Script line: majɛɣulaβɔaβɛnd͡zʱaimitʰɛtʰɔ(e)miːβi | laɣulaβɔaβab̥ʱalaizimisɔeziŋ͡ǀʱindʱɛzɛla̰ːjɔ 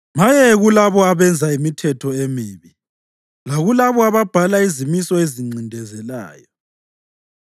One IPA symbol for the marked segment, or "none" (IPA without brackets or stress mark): e